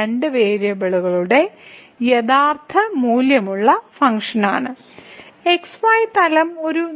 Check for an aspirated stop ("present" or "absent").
present